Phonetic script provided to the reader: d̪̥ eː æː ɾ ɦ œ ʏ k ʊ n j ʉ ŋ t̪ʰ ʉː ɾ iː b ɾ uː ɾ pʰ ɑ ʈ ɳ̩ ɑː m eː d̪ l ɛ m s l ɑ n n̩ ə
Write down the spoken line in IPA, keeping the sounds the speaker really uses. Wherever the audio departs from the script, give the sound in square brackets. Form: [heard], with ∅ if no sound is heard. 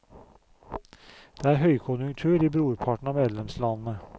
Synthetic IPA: d̪̥ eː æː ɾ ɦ œ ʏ [kʰ] ʊ n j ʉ ŋ t̪ʰ ʉː ɾ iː b ɾ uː ɾ pʰ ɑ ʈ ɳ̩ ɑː m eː d̪ l ɛ m s l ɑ n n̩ ə